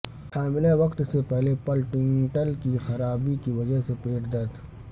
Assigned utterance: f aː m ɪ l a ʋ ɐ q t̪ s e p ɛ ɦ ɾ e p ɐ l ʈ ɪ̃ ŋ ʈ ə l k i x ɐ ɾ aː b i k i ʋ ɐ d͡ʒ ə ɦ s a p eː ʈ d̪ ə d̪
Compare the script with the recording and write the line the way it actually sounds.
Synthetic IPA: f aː m ɪ l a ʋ ɐ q t̪ s e p ɛ ɦ l e p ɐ l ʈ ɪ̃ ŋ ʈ ə l k i x ɐ ɾ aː b i k i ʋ ɐ d͡ʒ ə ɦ s e p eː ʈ d̪ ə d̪